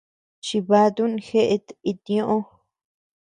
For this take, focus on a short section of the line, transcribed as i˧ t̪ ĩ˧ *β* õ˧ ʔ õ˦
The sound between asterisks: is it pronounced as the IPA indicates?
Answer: no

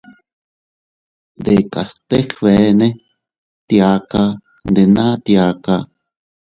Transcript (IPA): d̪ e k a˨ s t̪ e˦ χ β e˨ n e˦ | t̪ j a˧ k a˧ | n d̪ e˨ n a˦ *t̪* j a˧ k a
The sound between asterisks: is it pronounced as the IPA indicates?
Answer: yes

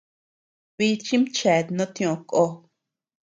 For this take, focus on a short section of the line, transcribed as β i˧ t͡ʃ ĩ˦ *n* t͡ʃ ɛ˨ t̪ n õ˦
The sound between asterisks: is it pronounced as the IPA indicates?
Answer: no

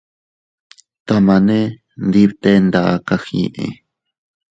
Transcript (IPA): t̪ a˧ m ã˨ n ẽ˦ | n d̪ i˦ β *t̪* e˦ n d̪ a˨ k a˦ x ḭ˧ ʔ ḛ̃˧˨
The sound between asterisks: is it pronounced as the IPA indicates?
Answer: yes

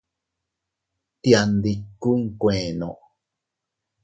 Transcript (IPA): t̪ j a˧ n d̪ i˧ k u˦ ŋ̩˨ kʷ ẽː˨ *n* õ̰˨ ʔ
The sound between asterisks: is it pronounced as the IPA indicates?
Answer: yes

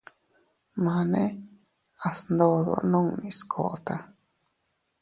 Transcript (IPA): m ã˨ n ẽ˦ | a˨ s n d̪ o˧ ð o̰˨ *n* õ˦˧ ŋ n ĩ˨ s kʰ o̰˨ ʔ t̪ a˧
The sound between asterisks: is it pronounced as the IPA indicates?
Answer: yes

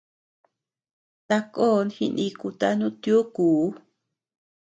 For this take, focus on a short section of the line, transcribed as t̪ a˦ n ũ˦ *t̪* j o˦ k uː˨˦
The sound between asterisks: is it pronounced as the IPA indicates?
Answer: yes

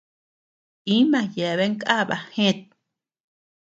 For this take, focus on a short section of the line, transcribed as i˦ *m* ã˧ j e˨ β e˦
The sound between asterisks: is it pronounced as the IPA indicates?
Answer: yes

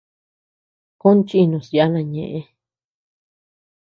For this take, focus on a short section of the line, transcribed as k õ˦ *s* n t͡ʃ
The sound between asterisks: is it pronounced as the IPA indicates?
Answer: no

